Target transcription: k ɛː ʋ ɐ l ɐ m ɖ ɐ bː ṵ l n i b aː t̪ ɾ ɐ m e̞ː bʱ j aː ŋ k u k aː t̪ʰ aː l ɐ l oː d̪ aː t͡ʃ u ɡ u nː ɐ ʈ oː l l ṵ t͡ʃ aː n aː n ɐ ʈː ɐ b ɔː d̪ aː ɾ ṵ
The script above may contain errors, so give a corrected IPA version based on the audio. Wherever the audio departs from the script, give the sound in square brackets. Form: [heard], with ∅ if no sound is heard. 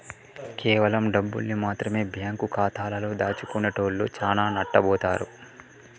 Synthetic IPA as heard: k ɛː ʋ ɐ l ɐ m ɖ ɐ bː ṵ l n i [m] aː t̪ ɾ ɐ m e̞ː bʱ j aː ŋ k u k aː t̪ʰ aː l ɐ l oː d̪ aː t͡ʃ u [k] u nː ɐ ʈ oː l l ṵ t͡ʃ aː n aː n ɐ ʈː ɐ b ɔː [t̪] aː ɾ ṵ